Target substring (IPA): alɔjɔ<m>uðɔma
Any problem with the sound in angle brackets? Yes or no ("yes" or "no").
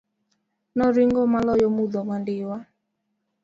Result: no